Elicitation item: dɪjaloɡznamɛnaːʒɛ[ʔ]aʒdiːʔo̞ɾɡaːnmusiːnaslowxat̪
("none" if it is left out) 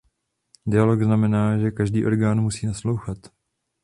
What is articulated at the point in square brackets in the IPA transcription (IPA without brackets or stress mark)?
k